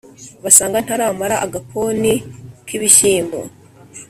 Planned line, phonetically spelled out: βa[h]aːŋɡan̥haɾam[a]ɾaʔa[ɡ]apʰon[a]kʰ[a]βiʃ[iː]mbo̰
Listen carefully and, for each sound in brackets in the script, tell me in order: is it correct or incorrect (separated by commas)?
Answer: incorrect, correct, correct, incorrect, incorrect, correct